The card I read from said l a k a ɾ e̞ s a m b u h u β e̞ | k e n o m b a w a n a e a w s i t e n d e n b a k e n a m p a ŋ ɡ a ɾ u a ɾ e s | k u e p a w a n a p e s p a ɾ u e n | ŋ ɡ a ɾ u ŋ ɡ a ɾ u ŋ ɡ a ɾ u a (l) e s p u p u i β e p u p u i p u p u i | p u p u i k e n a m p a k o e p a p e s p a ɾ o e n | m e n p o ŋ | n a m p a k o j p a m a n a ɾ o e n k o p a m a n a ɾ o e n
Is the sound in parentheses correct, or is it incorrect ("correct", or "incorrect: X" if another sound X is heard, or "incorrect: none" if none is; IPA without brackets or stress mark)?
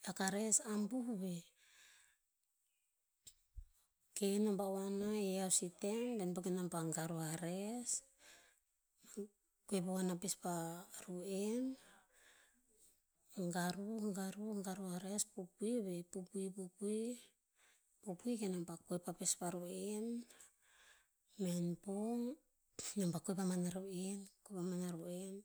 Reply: incorrect: ɾ